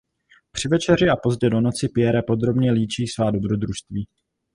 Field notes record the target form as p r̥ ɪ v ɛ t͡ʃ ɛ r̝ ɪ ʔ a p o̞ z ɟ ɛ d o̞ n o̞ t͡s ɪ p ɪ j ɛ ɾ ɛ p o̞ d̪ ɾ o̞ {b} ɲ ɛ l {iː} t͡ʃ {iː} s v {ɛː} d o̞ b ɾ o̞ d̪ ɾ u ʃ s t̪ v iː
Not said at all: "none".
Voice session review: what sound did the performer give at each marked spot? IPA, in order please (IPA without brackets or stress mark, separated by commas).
b, iː, iː, aː